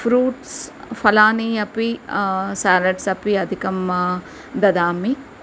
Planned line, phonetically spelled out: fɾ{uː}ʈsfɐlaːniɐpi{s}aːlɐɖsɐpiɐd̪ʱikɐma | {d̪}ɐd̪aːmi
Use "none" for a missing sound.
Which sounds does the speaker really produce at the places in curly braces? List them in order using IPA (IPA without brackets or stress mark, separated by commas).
uː, s, d̪